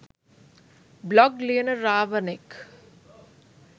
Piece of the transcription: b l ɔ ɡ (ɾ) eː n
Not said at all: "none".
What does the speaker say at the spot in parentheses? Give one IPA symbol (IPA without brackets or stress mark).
l